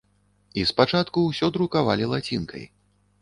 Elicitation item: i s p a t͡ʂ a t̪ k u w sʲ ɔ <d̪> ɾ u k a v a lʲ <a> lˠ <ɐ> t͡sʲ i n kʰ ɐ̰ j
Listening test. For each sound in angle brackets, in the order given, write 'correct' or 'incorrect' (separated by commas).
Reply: correct, incorrect, incorrect